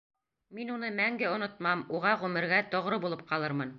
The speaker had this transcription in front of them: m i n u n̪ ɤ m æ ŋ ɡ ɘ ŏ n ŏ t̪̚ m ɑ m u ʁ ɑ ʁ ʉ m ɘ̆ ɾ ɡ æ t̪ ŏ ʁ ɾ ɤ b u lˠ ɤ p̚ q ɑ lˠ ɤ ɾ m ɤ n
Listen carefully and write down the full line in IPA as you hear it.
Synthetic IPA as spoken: m i n u n̪ ɤ m æ ŋ ɡ ɘ ŏ n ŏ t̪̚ m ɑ m u ʁ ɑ ʁ ʉ m ɘ̆ ɾ ɡ æ t̪ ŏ ʁ ɾ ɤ b u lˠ ɤ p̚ q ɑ lˠ ɤ ɾ m ɤ n